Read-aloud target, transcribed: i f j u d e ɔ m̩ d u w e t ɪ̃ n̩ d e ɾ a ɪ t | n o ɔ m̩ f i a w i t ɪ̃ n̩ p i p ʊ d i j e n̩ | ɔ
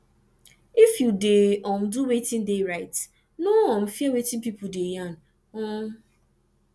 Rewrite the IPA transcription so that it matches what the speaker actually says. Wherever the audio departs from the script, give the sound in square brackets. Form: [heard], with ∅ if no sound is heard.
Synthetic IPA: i f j u d e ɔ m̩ d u w e t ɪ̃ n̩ d e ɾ a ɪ t | n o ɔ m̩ f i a w [e] t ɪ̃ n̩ p i p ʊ d [e] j [a] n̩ | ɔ